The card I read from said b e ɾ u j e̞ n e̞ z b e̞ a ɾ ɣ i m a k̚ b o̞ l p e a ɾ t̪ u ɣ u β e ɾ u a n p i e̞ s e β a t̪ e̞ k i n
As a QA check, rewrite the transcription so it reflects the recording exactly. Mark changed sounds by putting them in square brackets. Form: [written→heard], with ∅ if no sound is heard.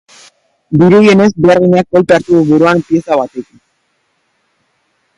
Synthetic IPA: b [e→i] ɾ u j e̞ n e̞ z b e̞ a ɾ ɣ i [m→ɲ] a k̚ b o̞ l p e a ɾ t̪ u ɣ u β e ɾ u a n p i e̞ s [e→a] β a t̪ e̞ k i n